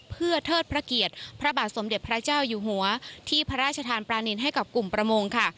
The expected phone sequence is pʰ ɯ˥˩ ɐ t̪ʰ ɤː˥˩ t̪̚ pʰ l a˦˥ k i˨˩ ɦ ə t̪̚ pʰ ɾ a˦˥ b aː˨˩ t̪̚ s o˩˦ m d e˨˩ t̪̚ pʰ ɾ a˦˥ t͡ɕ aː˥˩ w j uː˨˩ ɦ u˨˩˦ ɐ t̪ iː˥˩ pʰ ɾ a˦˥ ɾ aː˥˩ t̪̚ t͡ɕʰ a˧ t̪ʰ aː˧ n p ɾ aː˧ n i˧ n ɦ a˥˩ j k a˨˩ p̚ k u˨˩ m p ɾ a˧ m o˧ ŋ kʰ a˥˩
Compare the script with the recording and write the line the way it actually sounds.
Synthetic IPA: pʰ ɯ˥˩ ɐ t̪ʰ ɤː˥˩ t̪̚ pʰ ɾ a˦˥ k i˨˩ ə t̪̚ pʰ ɾ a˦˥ b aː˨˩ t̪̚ s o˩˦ m d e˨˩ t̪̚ pʰ ɾ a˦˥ t͡ɕ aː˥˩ w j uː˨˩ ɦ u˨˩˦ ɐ t̪ʰ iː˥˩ pʰ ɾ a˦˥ ɾ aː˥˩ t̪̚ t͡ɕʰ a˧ t̪ʰ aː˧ n p ɾ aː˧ n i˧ n ɦ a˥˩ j k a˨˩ p̚ k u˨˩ m p ɾ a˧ m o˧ ŋ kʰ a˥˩

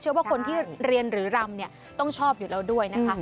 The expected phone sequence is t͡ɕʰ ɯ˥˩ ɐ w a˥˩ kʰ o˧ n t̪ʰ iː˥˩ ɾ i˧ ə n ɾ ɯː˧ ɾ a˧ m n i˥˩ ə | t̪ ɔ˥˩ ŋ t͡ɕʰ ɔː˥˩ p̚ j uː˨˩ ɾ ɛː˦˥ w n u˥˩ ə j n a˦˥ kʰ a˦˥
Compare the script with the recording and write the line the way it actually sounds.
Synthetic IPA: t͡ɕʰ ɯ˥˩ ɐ w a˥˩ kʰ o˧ n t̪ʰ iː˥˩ ɾ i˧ ə n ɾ ɯː˩˦ ɾ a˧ m n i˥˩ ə | t̪ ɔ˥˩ ŋ t͡ɕʰ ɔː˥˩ p̚ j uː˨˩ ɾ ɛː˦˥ w d u˥˩ ə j n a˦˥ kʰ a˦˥

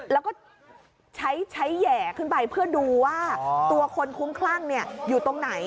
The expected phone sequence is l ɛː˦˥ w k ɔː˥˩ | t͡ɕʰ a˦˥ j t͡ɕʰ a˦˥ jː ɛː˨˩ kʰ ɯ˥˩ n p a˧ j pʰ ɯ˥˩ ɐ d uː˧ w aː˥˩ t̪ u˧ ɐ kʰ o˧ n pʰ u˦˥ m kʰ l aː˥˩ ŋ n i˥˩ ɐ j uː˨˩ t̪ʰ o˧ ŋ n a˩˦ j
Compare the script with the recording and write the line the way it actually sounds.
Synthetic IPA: l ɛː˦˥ w k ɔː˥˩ | t͡ɕʰ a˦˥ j t͡ɕʰ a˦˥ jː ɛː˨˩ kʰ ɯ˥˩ n p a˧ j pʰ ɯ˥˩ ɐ d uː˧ w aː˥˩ t̪ u˧ ɐ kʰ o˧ n kʰ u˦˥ m kʰ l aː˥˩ ŋ n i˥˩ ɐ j uː˨˩ t̪ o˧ ŋ n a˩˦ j

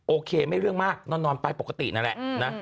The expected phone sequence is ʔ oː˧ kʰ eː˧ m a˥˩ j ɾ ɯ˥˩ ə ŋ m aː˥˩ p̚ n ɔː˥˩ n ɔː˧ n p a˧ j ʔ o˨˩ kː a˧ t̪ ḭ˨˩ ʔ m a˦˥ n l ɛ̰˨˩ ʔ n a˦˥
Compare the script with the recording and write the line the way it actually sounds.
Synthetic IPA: ʔ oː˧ kʰ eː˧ m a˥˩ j ɾ ɯ˥˩ ə ŋ m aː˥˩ k̚ n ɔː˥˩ n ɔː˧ n p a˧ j p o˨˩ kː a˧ t̪ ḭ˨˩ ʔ n a˦˥ n l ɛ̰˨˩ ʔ n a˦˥

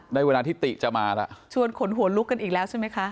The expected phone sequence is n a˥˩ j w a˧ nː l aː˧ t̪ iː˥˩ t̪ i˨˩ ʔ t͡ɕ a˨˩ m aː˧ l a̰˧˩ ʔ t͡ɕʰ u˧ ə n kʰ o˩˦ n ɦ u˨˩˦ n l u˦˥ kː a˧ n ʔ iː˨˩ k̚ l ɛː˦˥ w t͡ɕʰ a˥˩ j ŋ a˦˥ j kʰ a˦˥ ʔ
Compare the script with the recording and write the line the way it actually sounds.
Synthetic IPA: n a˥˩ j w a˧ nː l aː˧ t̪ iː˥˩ t̪ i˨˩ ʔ t͡ɕ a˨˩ m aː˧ l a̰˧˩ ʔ t͡ɕʰ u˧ ə n kʰ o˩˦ n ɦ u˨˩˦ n l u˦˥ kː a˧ n ʔ iː˨˩ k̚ l ɛː˦˥ w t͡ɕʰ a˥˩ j m a˦˥ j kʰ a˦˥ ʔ

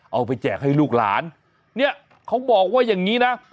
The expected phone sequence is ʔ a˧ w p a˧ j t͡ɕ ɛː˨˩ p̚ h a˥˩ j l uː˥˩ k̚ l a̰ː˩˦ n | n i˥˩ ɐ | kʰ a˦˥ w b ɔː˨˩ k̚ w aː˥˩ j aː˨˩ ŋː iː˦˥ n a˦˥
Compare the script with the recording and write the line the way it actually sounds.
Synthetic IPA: ʔ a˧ w p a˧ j t͡ɕ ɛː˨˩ k̚ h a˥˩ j l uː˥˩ k̚ l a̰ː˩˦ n | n i˥˩ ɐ | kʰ a˦˥ w b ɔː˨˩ k̚ w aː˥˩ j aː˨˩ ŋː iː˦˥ n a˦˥

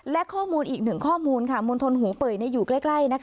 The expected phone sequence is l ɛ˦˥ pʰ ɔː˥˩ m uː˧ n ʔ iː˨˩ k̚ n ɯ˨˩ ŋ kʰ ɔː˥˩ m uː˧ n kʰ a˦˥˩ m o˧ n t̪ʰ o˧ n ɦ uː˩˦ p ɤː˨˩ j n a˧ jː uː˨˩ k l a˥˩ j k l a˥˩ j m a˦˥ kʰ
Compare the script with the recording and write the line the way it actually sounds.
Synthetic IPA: l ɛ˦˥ kʰ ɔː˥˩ m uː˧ n ʔ iː˨˩ k̚ n ɯ˨˩ ŋ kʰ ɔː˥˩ m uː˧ n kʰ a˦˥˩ m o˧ n t̪ʰ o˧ n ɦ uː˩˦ p ɤː˨˩ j n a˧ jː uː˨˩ k l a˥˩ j k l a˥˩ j n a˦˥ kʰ

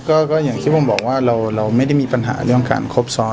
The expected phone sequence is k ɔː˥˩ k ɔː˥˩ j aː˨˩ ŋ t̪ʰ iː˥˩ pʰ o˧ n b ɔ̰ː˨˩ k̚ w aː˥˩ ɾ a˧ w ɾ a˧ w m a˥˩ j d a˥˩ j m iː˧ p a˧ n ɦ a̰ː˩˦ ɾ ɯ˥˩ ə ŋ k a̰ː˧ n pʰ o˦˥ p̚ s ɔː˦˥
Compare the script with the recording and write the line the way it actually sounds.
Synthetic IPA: k ɔː˥˩ k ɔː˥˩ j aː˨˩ ŋ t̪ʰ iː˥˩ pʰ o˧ m b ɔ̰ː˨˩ k̚ w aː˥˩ ɾ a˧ w ɾ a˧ w m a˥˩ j d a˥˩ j m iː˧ p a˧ n ɦ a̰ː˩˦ ɾ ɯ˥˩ ə ŋ k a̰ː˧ n kʰ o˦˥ p̚ s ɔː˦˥

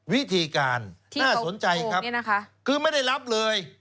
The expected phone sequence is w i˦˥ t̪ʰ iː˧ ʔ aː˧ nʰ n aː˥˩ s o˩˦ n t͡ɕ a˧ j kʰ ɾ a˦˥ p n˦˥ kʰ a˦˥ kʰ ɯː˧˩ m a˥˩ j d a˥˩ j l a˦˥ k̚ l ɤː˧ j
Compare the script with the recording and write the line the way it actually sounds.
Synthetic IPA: w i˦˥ t̪ʰ iː˧ k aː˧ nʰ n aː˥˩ s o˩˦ n t͡ɕ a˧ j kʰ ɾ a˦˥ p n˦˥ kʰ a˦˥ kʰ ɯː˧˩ m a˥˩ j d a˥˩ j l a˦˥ p̚ l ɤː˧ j

